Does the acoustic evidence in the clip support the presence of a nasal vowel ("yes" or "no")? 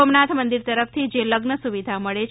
no